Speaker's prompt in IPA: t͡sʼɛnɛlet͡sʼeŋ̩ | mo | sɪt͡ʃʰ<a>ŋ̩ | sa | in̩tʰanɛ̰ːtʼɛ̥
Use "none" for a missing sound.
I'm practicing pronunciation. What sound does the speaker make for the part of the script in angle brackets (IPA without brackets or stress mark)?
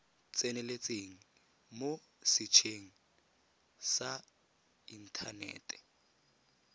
e